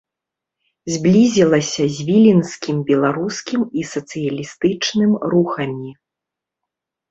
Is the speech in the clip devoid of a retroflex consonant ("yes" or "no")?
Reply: no